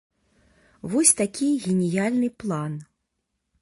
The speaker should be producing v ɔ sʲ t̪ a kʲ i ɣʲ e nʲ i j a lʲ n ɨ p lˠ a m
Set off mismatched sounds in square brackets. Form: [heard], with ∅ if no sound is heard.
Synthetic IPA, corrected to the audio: v ɔ sʲ t̪ a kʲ i ɣʲ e nʲ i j a lʲ n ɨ p lˠ a [n]